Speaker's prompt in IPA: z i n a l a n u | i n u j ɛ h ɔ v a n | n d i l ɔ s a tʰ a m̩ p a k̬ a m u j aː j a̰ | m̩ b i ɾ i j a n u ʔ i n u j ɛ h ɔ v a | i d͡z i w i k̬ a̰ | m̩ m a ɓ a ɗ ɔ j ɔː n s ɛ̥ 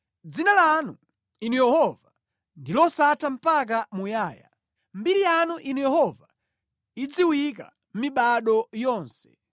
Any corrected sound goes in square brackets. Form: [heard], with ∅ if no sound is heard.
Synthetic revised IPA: [d͡z] i n a l a n u | i n u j ɛ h ɔ v a [∅] | n d i l ɔ s a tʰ a m̩ p a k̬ a m u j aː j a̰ | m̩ b i ɾ i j a n u ʔ i n u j ɛ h ɔ v a | i d͡z i w i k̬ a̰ | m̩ m [i] ɓ a ɗ ɔ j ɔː n s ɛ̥